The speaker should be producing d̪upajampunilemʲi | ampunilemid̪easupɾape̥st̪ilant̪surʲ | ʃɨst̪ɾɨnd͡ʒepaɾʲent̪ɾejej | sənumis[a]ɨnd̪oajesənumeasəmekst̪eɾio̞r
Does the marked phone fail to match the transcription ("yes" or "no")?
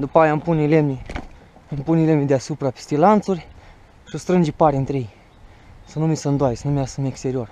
yes